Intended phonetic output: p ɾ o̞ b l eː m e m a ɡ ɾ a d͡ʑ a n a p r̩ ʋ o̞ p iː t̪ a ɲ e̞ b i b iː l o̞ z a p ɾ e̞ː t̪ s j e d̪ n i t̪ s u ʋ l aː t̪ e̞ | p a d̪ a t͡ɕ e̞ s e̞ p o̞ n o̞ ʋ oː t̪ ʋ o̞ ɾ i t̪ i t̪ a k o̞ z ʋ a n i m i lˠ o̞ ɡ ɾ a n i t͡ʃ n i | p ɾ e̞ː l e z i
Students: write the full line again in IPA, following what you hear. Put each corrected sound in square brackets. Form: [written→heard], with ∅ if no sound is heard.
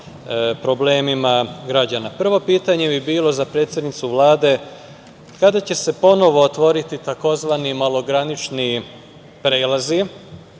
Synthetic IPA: p ɾ o̞ b l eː m [e→i] m a ɡ ɾ a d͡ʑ a n a p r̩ ʋ o̞ p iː t̪ a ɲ e̞ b i b iː l o̞ z a p ɾ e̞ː t̪ s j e d̪ n i t̪ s u ʋ l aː [t̪→d̪] e̞ | [p→k] a d̪ a t͡ɕ e̞ s e̞ p o̞ n o̞ ʋ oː t̪ ʋ o̞ ɾ i t̪ i t̪ a k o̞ z ʋ a n i m [i→a] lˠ o̞ ɡ ɾ a n i t͡ʃ n i | p ɾ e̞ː l [e→a] z i